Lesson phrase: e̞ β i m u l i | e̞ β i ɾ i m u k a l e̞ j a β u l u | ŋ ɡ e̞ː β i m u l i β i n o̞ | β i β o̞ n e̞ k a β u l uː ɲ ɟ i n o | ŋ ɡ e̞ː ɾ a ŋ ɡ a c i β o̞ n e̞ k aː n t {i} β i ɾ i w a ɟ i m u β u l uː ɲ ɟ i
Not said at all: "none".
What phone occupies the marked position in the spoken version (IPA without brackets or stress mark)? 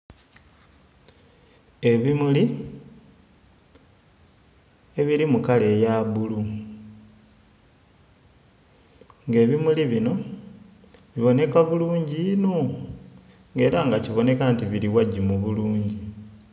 i